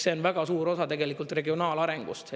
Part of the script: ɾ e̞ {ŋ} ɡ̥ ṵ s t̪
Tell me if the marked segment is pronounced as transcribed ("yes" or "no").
yes